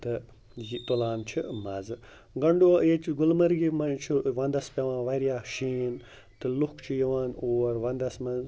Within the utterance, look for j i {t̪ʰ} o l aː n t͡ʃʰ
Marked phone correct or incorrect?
incorrect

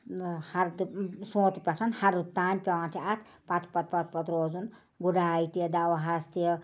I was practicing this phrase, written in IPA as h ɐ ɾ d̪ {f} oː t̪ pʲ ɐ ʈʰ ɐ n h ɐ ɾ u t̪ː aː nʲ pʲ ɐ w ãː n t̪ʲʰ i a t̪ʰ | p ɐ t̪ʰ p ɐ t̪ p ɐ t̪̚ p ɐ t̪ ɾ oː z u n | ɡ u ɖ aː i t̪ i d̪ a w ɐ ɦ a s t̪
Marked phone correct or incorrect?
incorrect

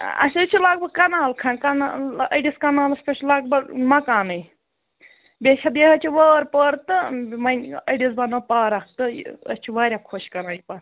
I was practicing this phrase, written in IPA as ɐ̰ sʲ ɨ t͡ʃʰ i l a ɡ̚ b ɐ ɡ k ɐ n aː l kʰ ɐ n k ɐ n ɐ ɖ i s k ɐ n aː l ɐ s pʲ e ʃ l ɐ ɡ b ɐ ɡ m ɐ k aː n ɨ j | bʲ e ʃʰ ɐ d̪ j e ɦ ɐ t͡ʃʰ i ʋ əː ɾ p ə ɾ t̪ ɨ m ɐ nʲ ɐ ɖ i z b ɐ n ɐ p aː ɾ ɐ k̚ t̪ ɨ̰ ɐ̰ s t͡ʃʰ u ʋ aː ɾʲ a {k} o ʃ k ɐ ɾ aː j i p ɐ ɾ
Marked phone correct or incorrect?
incorrect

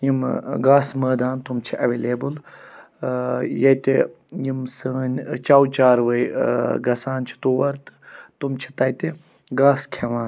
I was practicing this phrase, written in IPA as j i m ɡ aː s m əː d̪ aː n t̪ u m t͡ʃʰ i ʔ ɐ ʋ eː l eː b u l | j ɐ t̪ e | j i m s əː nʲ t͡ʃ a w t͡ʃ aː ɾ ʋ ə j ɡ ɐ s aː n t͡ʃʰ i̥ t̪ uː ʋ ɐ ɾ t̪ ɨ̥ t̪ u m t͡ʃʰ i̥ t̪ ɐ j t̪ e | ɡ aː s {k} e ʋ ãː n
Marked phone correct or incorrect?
incorrect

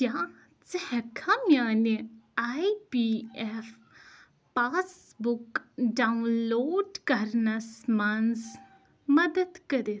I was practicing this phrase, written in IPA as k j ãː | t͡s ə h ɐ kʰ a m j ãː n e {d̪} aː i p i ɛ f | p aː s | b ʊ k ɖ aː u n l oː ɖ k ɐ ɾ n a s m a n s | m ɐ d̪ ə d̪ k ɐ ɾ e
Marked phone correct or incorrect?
incorrect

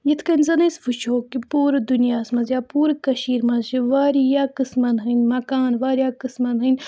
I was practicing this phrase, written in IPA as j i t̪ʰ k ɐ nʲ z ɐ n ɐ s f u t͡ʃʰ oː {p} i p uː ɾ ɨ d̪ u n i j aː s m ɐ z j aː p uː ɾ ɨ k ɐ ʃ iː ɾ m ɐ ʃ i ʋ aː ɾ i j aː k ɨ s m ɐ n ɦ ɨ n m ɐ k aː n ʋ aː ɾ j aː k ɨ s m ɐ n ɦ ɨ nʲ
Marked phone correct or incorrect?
incorrect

